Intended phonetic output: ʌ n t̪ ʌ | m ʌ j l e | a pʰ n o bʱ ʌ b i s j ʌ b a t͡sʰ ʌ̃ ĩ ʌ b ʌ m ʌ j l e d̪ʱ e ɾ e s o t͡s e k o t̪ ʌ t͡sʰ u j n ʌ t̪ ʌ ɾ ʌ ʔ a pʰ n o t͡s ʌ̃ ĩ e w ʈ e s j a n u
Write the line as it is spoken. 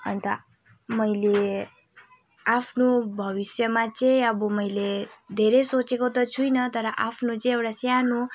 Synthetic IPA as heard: ʌ n t̪ ʌ | m ʌ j l e | a pʰ n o bʱ ʌ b i s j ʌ m a t͡s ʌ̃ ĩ ʌ b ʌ m ʌ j l e d̪ʱ e ɾ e s o t͡s e k o t̪ ʌ t͡sʰ u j n ʌ t̪ ʌ ɾ ʌ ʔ a pʰ n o t͡s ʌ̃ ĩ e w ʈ a s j a n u